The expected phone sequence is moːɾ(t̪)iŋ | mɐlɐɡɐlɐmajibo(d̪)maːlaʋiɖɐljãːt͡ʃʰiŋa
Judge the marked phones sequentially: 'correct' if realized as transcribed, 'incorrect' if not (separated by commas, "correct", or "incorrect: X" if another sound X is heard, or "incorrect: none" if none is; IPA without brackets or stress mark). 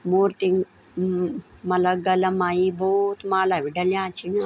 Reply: correct, incorrect: t̪